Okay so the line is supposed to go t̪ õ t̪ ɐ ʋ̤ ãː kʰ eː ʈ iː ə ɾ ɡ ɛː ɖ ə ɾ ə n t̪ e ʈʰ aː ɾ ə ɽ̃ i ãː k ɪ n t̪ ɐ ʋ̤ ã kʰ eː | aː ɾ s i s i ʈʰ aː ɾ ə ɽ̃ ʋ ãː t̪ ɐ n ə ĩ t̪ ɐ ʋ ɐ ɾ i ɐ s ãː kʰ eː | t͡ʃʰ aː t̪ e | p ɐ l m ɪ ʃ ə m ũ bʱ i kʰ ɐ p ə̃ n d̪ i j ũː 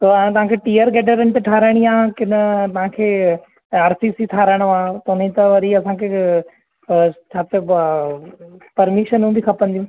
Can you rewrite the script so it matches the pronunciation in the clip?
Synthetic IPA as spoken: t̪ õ t̪ ɐ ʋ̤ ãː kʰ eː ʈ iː ə ɾ ɡ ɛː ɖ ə ɾ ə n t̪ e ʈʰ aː ɾ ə ɽ̃ i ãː k ɪ n t̪ ɐ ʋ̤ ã kʰ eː | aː ɾ s i s i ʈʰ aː ɾ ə ɽ̃ ʋ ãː t̪ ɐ n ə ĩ t̪ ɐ ʋ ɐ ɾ i ɐ s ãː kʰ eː | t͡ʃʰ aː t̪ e | p ɐ ɾ m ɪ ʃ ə n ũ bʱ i kʰ ɐ p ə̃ n d̪ i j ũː